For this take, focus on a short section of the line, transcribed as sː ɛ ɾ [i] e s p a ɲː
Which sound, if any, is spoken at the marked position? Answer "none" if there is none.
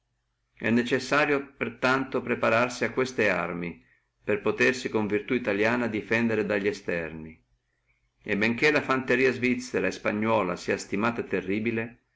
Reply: a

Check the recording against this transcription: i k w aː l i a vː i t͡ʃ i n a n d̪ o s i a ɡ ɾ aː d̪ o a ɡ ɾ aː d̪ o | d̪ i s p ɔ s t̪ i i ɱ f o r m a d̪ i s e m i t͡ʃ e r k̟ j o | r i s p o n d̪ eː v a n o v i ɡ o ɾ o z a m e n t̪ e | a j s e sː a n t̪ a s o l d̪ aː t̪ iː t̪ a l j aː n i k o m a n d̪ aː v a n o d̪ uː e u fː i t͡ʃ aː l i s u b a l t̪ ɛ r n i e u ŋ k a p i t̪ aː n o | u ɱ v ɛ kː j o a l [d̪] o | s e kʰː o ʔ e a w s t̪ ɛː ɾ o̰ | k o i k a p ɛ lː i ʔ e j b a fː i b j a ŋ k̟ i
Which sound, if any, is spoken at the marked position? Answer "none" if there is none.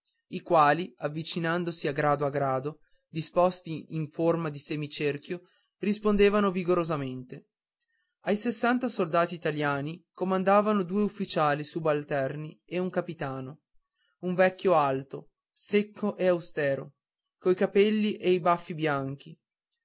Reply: t̪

